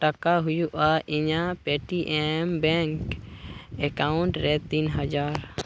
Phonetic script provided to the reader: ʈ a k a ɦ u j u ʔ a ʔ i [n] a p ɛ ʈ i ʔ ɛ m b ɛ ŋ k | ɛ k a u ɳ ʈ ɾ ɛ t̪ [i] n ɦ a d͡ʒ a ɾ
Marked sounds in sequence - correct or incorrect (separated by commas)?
incorrect, correct